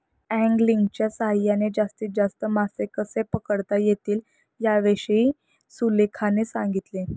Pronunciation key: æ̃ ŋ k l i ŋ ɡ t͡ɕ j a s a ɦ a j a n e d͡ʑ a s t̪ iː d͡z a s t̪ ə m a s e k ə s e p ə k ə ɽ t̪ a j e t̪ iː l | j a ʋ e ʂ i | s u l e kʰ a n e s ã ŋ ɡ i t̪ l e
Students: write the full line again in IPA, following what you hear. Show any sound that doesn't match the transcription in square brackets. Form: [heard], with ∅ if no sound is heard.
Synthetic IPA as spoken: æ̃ ŋ [ɡ] l i ŋ ɡ t͡ɕ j a s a ɦ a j a n e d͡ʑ a s t̪ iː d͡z a s t̪ ə m a s e k ə s e p ə k ə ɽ t̪ a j e t̪ iː l | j a ʋ e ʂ i | s u l e kʰ a n e s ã ŋ ɡ i t̪ l e